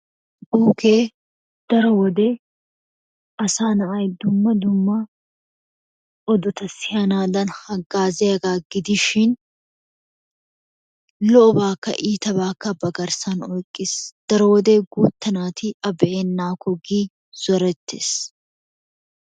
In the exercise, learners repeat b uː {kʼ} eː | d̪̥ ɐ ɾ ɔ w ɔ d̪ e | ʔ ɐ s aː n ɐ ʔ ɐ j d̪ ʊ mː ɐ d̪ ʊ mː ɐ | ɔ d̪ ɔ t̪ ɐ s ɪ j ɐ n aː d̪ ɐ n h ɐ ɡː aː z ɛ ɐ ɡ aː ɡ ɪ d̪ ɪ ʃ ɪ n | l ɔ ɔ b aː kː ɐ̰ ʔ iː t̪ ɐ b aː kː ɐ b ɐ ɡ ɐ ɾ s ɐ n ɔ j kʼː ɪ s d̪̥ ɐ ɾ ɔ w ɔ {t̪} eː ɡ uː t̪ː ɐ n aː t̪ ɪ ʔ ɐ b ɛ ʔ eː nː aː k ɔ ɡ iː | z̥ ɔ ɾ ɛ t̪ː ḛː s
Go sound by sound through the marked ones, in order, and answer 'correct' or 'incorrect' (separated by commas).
incorrect, incorrect